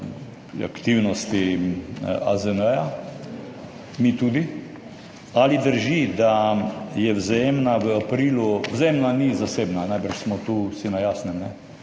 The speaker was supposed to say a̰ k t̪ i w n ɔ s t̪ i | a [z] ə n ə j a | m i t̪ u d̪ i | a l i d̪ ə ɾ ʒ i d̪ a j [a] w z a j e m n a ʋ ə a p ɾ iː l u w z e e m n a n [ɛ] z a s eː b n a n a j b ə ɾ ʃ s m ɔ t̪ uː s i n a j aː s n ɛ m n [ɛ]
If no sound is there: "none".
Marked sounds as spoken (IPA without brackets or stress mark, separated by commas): z, ɛ, i, ɛ